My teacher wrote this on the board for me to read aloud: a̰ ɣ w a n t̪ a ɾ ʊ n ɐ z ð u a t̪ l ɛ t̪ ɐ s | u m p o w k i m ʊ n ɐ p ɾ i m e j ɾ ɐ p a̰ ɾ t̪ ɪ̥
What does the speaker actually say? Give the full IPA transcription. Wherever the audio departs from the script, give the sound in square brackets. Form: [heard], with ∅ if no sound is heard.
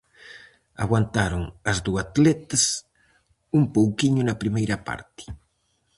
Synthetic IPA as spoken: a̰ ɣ w a n t̪ a ɾ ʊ [ŋ] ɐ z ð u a t̪ l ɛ t̪ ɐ s | u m p o w k i [ɲ] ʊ n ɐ p ɾ i m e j ɾ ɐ p a̰ ɾ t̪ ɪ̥